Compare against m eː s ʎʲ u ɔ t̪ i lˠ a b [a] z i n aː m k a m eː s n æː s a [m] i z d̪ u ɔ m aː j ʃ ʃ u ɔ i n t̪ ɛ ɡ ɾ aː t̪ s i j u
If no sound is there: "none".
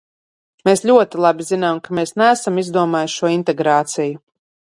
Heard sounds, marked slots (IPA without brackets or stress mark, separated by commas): i, m